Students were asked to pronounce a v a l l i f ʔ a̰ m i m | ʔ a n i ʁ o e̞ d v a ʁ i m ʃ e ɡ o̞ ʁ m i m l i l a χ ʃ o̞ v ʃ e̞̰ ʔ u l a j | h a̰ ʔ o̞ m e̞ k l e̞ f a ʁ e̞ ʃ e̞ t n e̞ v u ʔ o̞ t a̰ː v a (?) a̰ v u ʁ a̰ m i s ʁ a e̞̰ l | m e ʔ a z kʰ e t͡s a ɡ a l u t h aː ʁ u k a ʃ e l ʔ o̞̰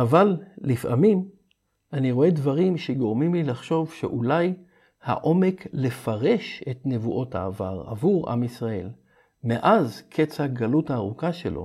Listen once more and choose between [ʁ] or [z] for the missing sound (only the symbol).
ʁ